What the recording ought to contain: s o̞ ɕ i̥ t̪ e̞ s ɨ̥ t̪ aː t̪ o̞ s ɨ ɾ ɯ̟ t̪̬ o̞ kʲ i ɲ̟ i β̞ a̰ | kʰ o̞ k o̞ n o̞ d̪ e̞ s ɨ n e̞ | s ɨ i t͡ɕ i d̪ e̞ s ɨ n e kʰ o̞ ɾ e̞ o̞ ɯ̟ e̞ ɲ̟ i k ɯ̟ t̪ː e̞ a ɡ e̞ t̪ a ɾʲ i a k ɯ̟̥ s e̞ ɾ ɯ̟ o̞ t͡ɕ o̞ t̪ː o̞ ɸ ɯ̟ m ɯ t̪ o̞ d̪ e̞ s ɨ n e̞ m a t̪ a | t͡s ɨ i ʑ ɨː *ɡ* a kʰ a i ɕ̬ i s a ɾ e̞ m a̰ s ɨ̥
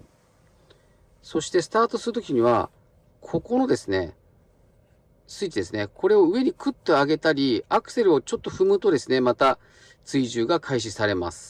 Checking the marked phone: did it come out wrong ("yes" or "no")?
no